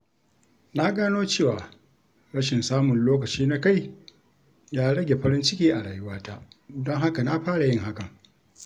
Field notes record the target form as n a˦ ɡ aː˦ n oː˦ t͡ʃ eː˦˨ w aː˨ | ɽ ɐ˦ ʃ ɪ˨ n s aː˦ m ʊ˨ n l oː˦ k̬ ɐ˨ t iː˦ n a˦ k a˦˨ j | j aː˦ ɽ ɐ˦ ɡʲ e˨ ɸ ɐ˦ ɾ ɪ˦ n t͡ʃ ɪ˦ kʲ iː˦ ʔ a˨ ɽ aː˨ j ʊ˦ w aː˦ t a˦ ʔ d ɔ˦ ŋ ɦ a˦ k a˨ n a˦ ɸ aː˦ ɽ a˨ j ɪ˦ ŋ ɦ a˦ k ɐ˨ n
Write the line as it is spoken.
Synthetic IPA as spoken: n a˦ ɡ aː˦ n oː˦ t͡ʃ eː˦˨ w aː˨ | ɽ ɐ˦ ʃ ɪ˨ n s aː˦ m ʊ˨ n l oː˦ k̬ ɐ˨ t͡ʃ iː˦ n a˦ k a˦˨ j | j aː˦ ɽ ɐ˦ ɡʲ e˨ ɸ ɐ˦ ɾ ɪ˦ n t͡ʃ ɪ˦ kʲ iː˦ ʔ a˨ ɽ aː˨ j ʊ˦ w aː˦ t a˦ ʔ d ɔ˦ ŋ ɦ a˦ k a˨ n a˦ ɸ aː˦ ɽ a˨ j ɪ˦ ŋ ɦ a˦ k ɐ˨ ŋ